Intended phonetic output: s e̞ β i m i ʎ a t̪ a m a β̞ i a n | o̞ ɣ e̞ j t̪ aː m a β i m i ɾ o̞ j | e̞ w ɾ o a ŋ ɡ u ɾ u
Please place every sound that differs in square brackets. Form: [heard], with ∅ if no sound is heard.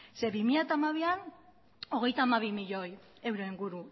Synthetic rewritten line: s e̞ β i m i ʎ a t̪ a m a β̞ i a n | o̞ ɣ e̞ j t̪ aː m a β i m i [ʎ] o̞ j | e̞ w ɾ o [i] ŋ ɡ u ɾ u